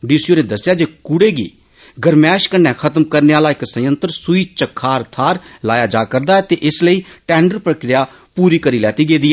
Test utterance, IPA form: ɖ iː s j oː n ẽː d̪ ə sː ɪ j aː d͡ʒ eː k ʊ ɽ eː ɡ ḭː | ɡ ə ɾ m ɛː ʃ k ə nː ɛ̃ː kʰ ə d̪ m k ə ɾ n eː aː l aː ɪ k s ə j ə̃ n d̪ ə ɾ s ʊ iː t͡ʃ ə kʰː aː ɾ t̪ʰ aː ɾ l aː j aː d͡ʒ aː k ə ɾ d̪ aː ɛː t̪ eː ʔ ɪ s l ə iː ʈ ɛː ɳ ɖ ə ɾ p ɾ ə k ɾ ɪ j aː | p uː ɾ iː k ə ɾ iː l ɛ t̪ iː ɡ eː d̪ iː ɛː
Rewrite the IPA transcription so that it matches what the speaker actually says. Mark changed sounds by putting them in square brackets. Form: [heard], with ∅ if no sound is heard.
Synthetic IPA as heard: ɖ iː s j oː n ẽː d̪ ə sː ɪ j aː d͡ʒ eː k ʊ ɽ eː ɡ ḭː | ɡ ə ɾ m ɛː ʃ k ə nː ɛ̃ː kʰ ə [t̪] m k ə ɾ n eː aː l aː ɪ k s ə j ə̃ n [t̪] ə ɾ s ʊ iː t͡ʃ ə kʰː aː ɾ t̪ʰ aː ɾ l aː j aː d͡ʒ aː k ə ɾ d̪ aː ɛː t̪ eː ʔ ɪ s l ə iː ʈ ɛː ɳ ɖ ə ɾ p ɾ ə k ɾ ɪ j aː | p uː ɾ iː k ə ɾ iː l [ɛː] t̪ iː ɡ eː d̪ iː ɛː